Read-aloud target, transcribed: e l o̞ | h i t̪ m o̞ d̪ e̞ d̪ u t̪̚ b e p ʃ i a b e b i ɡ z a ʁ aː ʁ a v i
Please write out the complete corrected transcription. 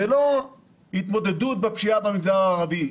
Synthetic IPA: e l o̞ | h i t̪ m o̞ d̪ e̞ d̪ u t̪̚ b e p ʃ i a b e m i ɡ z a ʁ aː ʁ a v i